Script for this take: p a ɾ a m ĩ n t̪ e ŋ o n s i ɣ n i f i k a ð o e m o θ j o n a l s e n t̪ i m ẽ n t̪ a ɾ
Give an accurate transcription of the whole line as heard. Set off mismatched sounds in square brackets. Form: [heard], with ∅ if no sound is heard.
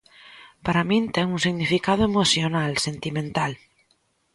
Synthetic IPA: p a ɾ a m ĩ n t̪ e ŋ [u] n s i ɣ n i f i k a ð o e m o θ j o n a l s e n t̪ i m ẽ n t̪ a [l]